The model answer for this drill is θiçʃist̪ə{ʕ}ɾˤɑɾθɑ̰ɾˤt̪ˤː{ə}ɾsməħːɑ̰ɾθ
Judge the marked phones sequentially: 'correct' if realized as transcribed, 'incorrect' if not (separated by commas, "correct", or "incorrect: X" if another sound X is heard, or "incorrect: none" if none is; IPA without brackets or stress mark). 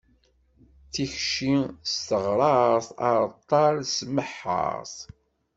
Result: incorrect: ʁ, incorrect: ɑ